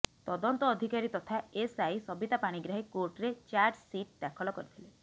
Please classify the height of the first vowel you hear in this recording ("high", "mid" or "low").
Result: mid